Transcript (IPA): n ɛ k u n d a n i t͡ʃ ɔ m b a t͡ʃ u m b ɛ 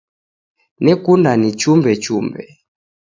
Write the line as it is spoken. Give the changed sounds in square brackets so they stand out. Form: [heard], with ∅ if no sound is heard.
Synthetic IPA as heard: n ɛ k u n d a n i t͡ʃ [u] m b [ɛ] t͡ʃ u m b ɛ